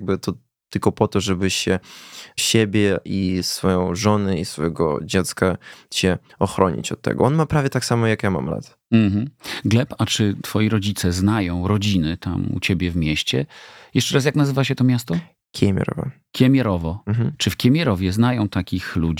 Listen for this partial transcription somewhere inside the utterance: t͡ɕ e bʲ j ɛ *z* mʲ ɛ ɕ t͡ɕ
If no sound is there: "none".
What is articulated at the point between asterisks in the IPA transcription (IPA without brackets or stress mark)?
v